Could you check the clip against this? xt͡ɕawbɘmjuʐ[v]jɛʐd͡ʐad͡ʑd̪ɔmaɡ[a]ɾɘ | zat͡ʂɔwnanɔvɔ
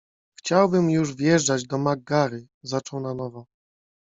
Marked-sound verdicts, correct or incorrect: correct, correct

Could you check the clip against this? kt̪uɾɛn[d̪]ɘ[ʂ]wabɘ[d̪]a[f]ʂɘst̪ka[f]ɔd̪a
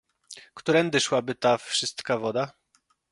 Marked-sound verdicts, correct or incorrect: correct, correct, incorrect, correct, incorrect

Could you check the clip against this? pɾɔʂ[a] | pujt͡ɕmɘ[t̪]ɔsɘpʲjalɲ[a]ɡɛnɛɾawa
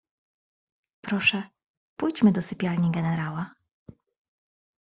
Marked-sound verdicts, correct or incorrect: incorrect, incorrect, incorrect

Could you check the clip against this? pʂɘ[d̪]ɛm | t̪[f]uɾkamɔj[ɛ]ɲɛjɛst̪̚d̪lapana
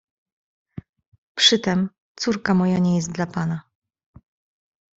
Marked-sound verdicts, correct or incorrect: incorrect, incorrect, incorrect

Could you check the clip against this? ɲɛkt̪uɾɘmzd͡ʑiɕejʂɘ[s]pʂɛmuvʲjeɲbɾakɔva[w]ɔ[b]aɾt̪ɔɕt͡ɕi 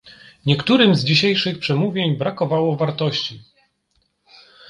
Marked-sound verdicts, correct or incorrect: incorrect, correct, incorrect

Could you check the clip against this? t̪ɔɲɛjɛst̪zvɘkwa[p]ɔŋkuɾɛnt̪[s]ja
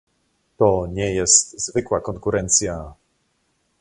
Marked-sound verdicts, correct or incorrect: incorrect, correct

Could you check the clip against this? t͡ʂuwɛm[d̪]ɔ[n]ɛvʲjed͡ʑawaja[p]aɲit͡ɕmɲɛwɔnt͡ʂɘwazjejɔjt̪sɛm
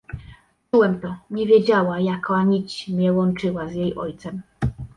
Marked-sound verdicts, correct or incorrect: incorrect, incorrect, incorrect

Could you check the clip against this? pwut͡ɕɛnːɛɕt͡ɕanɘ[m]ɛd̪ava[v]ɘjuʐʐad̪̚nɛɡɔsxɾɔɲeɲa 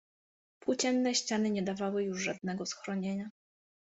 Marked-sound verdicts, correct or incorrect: incorrect, incorrect

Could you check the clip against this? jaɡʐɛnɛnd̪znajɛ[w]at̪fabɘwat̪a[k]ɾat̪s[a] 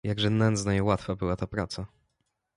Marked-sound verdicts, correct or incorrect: correct, incorrect, correct

